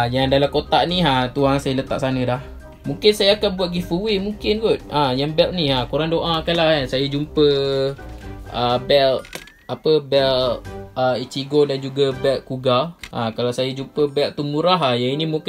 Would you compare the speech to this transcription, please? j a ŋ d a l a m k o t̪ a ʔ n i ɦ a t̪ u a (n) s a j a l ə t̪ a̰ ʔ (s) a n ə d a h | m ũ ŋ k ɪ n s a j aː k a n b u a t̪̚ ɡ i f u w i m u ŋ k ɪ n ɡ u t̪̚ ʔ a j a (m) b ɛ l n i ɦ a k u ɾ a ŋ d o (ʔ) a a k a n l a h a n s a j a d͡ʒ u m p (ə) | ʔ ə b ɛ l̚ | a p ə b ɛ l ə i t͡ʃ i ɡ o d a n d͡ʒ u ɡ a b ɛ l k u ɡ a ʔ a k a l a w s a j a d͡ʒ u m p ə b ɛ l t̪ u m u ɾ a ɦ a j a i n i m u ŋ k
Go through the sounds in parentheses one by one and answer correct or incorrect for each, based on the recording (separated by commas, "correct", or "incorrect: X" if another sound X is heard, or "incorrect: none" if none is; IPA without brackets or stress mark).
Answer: incorrect: ŋ, correct, incorrect: ŋ, correct, correct